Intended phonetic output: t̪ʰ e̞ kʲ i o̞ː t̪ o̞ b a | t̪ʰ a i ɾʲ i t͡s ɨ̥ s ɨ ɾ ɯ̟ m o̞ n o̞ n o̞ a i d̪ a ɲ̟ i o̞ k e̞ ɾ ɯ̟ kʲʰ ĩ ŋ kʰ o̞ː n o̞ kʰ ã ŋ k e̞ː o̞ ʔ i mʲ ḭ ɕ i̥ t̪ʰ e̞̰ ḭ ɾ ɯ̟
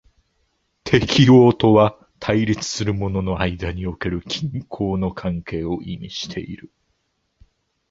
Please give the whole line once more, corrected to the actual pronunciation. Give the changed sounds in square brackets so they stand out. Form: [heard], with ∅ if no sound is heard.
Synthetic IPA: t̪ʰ e̞ kʲ i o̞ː t̪ o̞ [β] a | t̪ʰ a i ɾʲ i t͡s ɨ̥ s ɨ ɾ ɯ̟ m o̞ n o̞ n o̞ a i d̪ a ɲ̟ i o̞ k e̞ ɾ ɯ̟ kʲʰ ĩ ŋ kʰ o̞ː n o̞ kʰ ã ŋ k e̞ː o̞ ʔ i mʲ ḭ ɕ i̥ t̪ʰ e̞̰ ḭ ɾ ɯ̟